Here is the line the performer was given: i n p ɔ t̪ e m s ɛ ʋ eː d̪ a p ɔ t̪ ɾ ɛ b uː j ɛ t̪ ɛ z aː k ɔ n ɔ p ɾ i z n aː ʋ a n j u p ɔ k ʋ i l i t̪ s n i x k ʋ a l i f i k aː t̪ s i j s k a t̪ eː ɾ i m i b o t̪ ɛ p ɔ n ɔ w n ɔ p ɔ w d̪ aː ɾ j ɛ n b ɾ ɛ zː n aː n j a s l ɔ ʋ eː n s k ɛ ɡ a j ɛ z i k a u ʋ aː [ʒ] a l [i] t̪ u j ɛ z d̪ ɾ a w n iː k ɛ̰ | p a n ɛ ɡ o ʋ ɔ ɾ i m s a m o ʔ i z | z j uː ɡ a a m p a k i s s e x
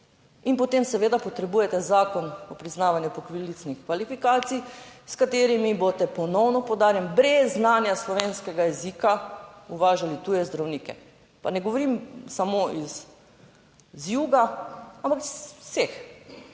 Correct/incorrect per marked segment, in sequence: correct, correct

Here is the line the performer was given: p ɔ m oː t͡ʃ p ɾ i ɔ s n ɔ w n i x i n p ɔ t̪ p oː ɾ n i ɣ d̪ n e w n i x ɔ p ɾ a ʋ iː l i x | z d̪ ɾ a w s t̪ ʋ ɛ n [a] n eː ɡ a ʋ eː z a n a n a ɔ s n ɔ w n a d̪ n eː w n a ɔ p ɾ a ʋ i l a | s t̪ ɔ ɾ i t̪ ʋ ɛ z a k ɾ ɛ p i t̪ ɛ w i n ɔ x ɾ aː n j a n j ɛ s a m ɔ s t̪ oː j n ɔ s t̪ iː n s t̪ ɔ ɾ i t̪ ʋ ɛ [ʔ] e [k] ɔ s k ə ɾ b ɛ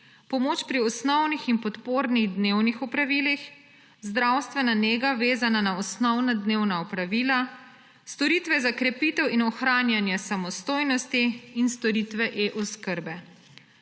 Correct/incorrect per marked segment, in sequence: correct, correct, incorrect: ʔ

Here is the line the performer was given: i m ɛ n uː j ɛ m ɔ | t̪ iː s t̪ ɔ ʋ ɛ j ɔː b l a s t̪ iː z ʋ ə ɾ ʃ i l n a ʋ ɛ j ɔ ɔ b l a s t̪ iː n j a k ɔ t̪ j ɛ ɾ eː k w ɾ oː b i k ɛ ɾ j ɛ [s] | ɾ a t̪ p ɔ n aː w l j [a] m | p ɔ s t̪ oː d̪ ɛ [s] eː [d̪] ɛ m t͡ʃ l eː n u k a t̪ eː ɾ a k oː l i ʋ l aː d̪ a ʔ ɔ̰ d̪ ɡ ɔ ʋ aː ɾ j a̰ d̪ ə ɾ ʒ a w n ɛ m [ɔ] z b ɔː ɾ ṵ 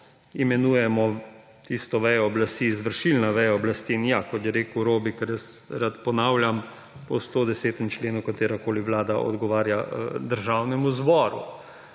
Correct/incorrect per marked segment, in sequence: correct, correct, correct, incorrect: t̪, incorrect: u

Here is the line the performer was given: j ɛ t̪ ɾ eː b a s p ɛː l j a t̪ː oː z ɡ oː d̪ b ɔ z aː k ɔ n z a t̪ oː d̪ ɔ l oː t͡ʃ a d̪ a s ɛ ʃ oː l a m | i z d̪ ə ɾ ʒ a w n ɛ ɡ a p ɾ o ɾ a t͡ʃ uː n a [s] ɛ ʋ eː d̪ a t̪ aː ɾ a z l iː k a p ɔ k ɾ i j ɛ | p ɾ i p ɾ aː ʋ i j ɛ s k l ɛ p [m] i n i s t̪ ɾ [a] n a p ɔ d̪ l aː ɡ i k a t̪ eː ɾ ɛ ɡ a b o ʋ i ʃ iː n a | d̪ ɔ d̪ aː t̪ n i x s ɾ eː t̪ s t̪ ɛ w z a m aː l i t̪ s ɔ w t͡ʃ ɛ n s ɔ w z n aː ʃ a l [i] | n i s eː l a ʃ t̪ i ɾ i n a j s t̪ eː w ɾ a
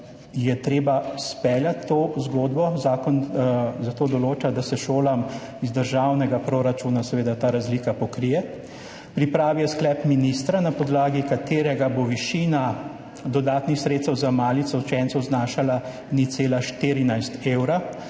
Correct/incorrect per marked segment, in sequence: correct, correct, correct, incorrect: a

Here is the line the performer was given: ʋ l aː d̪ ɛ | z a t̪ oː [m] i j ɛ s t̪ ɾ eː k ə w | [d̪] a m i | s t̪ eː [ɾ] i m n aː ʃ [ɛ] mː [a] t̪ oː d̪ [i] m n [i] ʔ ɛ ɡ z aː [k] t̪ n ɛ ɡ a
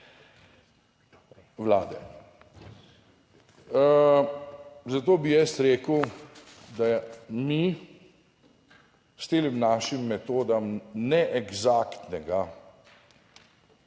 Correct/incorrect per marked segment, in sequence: incorrect: b, correct, incorrect: l, incorrect: i, incorrect: ɛ, incorrect: a, incorrect: ɛ, correct

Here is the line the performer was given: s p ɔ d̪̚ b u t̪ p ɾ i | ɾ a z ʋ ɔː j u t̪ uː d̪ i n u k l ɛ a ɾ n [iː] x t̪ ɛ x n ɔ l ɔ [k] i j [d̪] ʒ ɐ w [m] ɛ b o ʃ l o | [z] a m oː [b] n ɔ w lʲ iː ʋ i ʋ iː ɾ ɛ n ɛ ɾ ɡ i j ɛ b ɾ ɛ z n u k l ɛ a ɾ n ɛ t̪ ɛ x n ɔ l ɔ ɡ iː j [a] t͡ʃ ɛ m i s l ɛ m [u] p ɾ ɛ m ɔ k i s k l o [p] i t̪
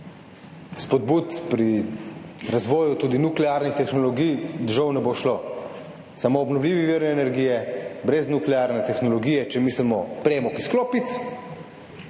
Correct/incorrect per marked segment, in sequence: incorrect: i, incorrect: ɡ, correct, incorrect: n, incorrect: s, correct, incorrect: ɛ, incorrect: ɔ, correct

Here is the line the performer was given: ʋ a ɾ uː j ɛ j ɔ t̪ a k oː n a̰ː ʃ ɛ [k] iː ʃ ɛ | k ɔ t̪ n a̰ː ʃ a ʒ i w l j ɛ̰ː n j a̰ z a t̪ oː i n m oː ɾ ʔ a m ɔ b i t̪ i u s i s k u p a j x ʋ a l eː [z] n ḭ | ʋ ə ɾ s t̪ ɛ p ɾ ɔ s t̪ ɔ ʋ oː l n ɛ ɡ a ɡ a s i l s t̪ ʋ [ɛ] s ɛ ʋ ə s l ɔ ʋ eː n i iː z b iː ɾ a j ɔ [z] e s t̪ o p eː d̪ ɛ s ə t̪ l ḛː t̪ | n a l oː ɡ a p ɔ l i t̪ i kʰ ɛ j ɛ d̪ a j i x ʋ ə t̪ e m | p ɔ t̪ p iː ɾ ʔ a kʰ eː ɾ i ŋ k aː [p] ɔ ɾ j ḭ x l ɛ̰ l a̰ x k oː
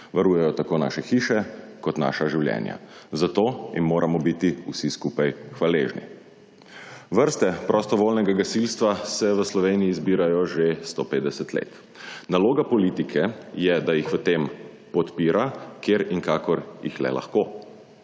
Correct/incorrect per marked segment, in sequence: incorrect: x, incorrect: ʒ, incorrect: a, incorrect: ʒ, incorrect: k

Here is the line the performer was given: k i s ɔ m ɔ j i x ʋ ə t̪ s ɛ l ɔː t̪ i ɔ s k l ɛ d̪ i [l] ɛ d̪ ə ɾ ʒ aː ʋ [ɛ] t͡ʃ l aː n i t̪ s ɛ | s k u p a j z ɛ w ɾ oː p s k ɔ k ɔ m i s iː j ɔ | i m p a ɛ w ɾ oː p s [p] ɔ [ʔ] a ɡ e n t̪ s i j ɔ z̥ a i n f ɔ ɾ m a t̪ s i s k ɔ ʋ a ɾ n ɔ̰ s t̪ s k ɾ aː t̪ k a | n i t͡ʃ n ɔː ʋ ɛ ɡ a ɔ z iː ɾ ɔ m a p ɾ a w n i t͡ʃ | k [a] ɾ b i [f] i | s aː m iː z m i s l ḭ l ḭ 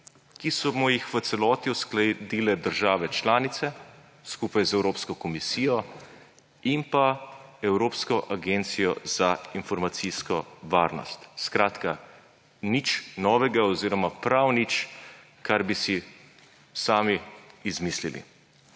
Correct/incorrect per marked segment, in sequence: correct, correct, incorrect: k, correct, correct, incorrect: s

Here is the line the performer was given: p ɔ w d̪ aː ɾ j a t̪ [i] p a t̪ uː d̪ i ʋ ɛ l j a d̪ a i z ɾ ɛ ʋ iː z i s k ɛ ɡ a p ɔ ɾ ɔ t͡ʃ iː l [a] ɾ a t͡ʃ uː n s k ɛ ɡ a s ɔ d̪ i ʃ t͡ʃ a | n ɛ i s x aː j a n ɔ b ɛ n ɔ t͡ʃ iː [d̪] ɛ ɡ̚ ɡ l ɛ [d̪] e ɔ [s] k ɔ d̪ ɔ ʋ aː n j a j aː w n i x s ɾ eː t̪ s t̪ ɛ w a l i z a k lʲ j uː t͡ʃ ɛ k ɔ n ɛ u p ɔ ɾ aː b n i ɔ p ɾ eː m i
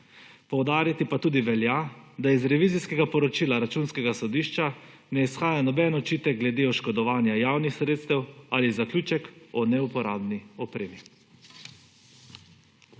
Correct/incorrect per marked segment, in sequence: correct, correct, incorrect: t̪, correct, incorrect: ʃ

